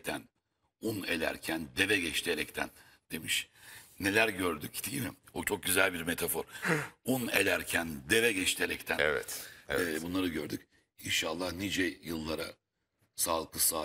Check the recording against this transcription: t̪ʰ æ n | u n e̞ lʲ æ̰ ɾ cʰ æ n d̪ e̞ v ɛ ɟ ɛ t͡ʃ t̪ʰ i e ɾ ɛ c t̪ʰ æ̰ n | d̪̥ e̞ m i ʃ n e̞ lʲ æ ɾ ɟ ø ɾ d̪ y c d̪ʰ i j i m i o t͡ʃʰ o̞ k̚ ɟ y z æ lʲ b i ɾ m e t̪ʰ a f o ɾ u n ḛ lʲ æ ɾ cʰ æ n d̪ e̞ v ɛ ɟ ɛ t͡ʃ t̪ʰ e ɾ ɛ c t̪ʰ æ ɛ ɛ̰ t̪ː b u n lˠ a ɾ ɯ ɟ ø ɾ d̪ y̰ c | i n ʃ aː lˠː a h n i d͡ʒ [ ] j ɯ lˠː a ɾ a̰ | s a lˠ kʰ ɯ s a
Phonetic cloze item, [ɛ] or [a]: ɛ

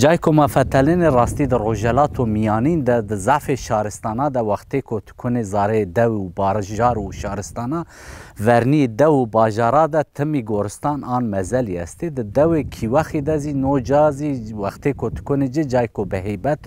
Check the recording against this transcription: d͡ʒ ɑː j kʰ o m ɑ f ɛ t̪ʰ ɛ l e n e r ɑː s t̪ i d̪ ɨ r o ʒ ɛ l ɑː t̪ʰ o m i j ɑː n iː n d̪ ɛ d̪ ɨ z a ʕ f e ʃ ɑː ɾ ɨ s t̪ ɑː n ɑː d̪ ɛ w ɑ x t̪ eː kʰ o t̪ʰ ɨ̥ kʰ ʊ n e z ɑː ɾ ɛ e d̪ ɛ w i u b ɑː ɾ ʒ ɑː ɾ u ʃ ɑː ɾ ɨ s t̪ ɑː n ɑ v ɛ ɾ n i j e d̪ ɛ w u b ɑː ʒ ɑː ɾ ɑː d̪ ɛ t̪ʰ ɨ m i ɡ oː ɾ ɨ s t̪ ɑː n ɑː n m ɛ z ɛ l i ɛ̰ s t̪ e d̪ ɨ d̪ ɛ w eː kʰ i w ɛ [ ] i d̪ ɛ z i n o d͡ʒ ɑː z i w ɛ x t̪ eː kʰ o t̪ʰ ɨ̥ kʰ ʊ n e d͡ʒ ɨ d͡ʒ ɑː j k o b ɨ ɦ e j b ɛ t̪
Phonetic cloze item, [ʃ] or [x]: x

